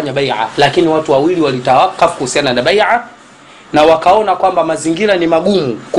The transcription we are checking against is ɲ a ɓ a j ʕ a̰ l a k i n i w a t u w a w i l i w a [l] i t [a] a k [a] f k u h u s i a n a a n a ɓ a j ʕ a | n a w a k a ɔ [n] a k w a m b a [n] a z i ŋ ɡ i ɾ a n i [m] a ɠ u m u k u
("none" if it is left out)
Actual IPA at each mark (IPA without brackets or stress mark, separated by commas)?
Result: l, a, a, n, m, m